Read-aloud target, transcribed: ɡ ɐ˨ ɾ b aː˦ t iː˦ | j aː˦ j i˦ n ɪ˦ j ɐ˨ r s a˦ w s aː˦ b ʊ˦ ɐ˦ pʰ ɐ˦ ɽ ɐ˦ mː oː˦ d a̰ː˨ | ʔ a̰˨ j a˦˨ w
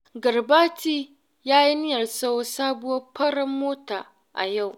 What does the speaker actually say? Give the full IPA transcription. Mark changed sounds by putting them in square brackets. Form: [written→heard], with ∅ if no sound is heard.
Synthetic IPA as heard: ɡ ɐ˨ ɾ b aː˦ t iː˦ | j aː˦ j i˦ n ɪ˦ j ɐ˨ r s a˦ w s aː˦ b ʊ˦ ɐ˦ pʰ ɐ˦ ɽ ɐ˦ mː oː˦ [d→t] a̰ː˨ | ʔ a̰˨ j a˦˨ w